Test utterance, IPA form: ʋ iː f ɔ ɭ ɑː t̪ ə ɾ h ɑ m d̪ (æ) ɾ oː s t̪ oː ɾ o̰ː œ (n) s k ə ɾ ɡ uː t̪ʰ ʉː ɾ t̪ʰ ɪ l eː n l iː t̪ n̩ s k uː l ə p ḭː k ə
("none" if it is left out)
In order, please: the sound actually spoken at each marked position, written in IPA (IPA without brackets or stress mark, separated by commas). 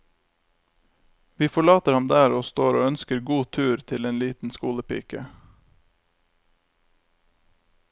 æː, n